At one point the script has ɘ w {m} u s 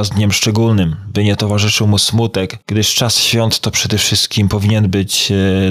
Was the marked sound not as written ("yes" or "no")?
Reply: no